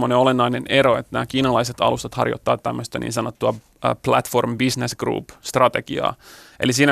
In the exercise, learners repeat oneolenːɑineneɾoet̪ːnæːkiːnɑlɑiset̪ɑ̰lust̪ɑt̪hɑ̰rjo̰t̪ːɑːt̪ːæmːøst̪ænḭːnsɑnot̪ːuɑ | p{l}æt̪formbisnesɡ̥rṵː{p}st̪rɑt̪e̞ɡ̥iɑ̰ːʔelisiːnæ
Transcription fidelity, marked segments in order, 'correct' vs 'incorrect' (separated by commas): correct, correct